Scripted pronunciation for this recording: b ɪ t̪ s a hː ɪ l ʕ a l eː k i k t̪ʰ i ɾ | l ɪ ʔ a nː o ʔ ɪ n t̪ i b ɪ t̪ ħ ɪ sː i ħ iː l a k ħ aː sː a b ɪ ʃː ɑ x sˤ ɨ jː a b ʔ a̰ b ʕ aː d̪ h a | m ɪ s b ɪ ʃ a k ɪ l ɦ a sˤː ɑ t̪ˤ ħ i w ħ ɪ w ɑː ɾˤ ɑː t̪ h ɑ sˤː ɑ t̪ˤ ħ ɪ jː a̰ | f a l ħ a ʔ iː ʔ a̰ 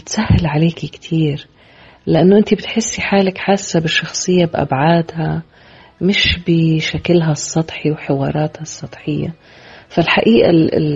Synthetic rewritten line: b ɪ t̪ s a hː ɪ l ʕ a l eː k i k t̪ʰ iː ɾ | l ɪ ʔ a nː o ʔ ɪ n t̪ i b ɪ t̪ ħ ɪ sː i ħ aː l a k ħ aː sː a b ɪ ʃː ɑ x sˤ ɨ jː a b ʔ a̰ b ʕ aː d̪ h a | m ɪ ʃ b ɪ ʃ a k ɪ l ɦ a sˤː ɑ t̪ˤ ħ i w ħ ɪ w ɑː ɾˤ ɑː t̪ h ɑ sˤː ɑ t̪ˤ ħ ɪ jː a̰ | f a l ħ a ʔ iː ʔ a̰